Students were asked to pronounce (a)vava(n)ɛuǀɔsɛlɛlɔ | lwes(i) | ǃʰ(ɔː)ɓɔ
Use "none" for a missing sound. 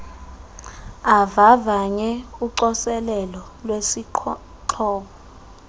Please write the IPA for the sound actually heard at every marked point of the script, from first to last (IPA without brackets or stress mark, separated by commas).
a, ɲ, i, ɔː